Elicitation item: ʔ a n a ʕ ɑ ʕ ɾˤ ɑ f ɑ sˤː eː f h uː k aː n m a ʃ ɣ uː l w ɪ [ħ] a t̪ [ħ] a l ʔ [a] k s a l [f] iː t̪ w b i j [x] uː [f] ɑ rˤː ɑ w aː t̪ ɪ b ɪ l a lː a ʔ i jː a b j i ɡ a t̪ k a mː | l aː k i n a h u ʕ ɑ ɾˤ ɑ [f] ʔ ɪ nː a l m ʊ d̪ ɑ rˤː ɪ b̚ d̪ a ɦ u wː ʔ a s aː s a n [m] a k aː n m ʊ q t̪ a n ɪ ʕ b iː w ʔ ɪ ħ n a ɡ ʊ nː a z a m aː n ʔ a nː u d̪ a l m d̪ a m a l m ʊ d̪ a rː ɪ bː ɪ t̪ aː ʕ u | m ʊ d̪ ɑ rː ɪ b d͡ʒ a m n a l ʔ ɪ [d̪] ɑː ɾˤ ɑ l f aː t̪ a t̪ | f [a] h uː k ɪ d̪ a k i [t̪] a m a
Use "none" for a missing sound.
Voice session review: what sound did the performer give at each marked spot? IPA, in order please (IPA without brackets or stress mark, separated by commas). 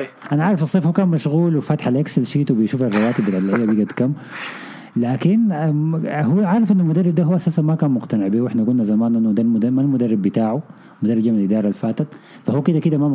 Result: f, ħ, a, ʃ, ʃ, f, f, m, d̪, a, d̪